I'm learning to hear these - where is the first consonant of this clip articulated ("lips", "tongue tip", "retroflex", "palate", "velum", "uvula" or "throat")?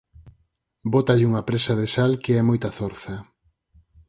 lips